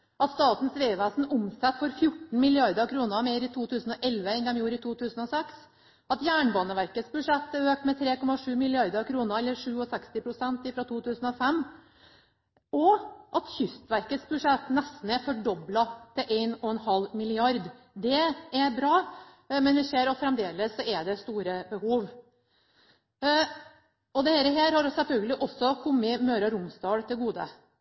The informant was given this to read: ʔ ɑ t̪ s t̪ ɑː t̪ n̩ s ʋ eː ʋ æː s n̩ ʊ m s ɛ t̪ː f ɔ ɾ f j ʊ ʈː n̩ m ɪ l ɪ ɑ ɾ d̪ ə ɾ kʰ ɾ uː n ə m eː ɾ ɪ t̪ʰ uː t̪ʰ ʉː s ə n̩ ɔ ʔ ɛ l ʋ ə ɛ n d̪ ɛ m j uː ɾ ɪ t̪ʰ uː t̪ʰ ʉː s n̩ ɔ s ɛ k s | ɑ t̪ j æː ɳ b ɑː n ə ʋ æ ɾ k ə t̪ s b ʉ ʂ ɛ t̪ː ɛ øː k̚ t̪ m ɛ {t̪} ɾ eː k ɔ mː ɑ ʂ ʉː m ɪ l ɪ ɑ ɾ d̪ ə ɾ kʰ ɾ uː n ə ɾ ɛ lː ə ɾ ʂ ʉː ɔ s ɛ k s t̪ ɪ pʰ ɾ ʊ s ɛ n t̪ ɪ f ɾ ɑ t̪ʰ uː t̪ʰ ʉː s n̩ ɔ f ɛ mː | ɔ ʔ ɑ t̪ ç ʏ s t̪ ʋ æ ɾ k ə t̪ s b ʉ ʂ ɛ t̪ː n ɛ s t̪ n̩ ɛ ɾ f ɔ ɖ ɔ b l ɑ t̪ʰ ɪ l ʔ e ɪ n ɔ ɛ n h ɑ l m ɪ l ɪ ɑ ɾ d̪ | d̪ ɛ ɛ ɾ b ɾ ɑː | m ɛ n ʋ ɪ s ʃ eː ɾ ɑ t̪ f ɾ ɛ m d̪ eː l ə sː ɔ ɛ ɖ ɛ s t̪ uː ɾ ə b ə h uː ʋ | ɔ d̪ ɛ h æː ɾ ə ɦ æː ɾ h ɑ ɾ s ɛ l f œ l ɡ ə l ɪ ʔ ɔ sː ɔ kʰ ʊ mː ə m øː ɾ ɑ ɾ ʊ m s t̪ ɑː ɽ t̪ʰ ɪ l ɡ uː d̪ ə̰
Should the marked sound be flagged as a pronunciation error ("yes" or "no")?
yes